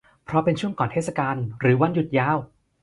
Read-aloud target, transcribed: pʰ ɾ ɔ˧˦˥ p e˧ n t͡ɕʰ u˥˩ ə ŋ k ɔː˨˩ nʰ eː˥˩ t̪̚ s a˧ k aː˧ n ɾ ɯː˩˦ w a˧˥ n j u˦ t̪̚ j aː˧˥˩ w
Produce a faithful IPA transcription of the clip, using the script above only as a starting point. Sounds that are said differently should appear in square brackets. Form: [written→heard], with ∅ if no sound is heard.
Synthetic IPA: pʰ ɾ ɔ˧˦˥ p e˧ n t͡ɕʰ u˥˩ ə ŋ k ɔː˨˩ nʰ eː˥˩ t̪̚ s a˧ k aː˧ n ɾ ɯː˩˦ w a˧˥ n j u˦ t̪̚ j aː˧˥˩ w